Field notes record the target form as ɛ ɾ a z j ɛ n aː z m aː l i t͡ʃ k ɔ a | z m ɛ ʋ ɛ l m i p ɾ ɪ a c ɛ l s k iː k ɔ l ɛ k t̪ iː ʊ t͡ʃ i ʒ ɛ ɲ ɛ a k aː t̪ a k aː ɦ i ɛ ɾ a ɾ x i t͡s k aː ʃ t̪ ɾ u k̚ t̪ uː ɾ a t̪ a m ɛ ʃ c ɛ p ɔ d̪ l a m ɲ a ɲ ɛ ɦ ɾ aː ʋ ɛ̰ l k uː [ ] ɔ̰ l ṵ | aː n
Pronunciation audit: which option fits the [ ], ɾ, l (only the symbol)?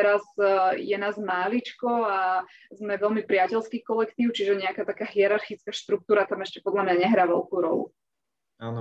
ɾ